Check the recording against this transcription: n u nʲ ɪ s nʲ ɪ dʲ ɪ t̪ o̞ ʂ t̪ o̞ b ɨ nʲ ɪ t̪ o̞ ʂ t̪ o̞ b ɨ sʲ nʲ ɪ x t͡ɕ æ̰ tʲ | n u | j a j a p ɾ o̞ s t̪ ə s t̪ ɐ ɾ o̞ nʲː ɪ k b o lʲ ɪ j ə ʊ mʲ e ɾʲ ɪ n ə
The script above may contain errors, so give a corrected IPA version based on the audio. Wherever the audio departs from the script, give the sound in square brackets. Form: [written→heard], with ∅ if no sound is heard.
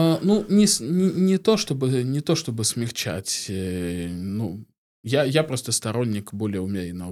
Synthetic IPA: n u nʲ ɪ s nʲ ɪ [dʲ→nʲ] ɪ t̪ o̞ ʂ t̪ o̞ b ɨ nʲ ɪ t̪ o̞ ʂ t̪ o̞ b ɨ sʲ [nʲ→mʲ] ɪ x t͡ɕ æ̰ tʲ | n u | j a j a p ɾ o̞ s t̪ ə s t̪ ɐ ɾ o̞ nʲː ɪ k b o lʲ ɪ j ə ʊ mʲ e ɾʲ ɪ n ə